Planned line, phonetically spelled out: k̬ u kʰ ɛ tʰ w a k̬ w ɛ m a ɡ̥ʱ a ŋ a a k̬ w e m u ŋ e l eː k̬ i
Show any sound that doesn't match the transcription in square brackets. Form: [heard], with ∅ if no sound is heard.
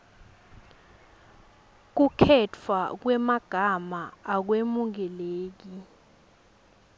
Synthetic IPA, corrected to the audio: k̬ u kʰ ɛ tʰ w a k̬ w ɛ m a ɡ̥ʱ a [m] a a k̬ w e m u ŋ [ɛ] l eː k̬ i